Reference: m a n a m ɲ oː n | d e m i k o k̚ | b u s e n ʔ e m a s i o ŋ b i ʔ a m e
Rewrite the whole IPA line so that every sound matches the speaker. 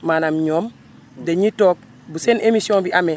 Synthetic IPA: m a n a m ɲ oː m | d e ɲ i t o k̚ | b u s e n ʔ e m i s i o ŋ b i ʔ a m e